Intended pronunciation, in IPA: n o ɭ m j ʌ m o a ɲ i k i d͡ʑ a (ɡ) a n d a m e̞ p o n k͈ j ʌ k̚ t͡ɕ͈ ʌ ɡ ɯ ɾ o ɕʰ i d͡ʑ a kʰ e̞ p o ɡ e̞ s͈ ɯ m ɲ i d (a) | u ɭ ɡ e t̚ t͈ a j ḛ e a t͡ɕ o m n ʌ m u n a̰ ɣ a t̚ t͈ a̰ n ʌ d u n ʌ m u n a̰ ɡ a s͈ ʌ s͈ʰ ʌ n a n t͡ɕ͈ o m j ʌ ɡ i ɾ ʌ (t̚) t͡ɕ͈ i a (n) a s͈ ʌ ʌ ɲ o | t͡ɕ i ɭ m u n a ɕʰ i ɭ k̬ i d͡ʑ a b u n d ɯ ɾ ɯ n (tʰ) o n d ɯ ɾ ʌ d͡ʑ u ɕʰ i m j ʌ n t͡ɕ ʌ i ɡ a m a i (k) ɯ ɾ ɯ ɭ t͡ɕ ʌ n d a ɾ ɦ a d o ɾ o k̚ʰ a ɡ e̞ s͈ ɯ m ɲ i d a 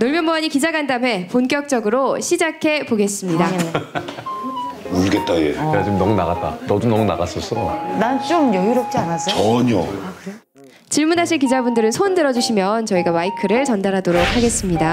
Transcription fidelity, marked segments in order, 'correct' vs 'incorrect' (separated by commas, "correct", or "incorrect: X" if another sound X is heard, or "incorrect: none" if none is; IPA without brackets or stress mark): correct, correct, incorrect: p̚, correct, incorrect: sʰ, incorrect: kʰ